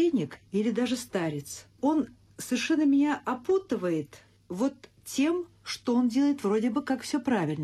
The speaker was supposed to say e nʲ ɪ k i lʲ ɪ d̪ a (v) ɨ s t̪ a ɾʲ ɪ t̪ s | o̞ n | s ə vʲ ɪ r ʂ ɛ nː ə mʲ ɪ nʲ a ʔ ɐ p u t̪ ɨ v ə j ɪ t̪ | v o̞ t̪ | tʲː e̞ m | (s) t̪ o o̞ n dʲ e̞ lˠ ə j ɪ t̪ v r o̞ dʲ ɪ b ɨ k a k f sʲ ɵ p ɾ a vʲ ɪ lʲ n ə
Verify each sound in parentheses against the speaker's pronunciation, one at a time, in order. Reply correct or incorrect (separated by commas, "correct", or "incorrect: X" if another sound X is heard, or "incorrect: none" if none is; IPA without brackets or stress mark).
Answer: incorrect: ʐ, incorrect: ʂ